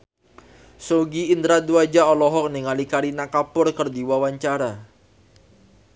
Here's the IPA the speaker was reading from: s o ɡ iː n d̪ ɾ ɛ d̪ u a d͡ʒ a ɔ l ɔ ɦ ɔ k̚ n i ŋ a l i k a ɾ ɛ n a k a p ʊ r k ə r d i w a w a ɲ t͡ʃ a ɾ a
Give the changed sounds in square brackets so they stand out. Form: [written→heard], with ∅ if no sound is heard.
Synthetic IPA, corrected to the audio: s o ɡ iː n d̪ ɾ [ɛ→a] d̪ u a d͡ʒ a ɔ l ɔ ɦ ɔ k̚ n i ŋ a l i k a ɾ [ɛ→i] n a k a p ʊ r k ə r d i w a w a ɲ t͡ʃ a ɾ a